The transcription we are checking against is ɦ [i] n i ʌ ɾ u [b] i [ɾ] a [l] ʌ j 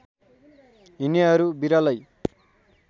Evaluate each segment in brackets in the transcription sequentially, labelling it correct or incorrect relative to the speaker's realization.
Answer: correct, correct, correct, correct

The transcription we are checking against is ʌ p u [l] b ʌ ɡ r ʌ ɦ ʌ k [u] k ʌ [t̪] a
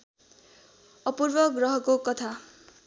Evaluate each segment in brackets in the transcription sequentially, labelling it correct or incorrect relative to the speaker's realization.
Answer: incorrect: r, incorrect: o, incorrect: t̪ʰ

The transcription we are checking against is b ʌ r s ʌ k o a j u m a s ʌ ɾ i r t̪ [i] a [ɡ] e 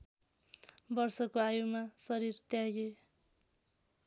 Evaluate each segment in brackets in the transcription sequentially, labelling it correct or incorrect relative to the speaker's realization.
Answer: incorrect: j, correct

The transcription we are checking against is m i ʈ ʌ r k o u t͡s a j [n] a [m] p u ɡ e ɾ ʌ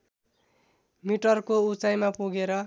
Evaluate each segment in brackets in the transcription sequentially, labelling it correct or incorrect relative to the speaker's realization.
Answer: incorrect: m, incorrect: none

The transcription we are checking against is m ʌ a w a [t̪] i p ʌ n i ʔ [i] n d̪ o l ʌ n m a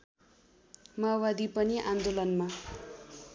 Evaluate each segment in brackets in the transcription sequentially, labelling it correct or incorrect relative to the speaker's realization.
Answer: incorrect: d̪, incorrect: a

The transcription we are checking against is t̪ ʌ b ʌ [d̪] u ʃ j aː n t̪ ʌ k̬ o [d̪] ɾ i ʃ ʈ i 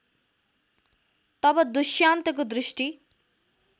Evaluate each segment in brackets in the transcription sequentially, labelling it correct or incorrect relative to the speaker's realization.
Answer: correct, correct

